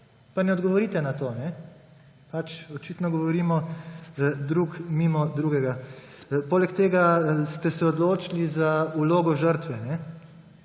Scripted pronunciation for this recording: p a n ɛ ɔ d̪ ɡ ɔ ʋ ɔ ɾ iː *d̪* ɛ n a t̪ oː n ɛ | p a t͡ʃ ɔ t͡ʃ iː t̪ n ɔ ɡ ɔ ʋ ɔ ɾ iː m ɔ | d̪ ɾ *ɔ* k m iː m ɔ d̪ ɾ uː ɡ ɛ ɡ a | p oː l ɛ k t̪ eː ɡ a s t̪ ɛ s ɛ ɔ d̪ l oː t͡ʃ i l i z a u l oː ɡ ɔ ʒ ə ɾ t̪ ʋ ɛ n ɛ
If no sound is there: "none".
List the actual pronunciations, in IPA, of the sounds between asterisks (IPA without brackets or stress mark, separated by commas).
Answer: t̪, u